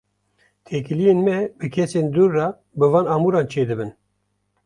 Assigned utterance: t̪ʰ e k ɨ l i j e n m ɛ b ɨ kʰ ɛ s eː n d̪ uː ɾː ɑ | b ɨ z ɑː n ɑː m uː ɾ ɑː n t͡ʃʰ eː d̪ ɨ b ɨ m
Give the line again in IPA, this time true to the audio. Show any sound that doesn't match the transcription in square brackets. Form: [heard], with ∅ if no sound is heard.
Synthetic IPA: t̪ʰ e k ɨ l i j e n m ɛ b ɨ kʰ ɛ s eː n d̪ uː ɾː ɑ | b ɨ [v] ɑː n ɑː m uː ɾ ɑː n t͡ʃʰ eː d̪ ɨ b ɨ [n]

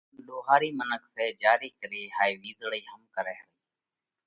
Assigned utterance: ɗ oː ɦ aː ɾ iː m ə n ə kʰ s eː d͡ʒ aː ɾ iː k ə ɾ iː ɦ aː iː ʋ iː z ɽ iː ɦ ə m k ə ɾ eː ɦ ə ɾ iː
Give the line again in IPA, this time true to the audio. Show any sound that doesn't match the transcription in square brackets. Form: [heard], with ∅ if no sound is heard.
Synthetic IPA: ɗ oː ɦ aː ɾ iː m ə n ə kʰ s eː d͡ʒ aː ɾ iː k ə ɾ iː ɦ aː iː ʋ iː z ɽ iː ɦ ə m k ə ɾ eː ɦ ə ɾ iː

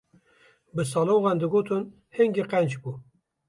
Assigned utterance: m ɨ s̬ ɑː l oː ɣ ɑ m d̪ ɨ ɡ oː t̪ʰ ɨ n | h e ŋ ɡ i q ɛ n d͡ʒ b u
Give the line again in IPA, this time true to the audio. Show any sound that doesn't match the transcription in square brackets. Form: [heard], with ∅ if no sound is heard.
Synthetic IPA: [b] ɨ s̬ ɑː l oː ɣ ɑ [n] d̪ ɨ ɡ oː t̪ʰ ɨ n | h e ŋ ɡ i q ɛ n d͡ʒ b u

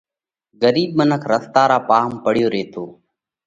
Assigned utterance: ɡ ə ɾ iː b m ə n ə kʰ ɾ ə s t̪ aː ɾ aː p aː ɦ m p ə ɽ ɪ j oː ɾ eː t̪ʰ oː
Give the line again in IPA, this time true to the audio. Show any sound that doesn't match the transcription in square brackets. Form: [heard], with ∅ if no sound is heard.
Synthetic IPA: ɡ ə ɾ iː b m ə n ə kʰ ɾ ə s t̪ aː ɾ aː p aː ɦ m p ə ɽ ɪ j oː ɾ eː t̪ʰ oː

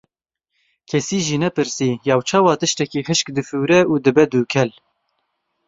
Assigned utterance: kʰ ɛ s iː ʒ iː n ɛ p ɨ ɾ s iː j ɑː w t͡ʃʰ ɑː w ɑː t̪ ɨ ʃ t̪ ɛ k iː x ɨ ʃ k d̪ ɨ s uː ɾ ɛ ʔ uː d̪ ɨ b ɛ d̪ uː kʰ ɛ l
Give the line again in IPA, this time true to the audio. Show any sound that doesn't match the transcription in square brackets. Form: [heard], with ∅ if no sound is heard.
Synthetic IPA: kʰ ɛ s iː ʒ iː n ɛ p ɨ ɾ s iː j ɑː w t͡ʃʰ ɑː w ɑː t̪ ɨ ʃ t̪ ɛ k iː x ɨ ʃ k d̪ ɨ [f] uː ɾ ɛ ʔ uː d̪ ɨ b ɛ d̪ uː kʰ ɛ l

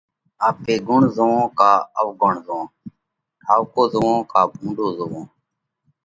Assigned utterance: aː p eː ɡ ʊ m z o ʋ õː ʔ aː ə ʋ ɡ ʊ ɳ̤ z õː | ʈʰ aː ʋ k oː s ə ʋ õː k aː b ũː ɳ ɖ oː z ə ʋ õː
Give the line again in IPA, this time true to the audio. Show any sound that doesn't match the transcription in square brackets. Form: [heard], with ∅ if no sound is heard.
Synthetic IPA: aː p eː ɡ ʊ [ɳ] z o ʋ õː [k] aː ə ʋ ɡ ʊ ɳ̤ z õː | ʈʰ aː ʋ k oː [z] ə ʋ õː k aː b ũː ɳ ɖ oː z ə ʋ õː

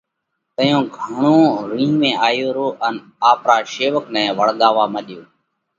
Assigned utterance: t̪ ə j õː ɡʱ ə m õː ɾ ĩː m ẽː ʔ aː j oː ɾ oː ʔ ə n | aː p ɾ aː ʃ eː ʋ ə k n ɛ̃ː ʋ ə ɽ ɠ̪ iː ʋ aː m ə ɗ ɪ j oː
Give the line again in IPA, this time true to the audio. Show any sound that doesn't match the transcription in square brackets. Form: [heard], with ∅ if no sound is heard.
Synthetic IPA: t̪ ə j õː ɡʱ ə [ɳ] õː ɾ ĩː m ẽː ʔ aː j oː ɾ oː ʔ ə n | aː p ɾ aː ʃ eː ʋ ə k n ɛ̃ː ʋ ə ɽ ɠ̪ [aː] ʋ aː m ə ɗ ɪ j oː

